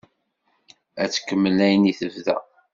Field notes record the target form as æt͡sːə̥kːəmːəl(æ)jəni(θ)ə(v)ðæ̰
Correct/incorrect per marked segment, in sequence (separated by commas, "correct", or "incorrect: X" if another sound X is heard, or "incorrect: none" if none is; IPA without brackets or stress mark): correct, correct, correct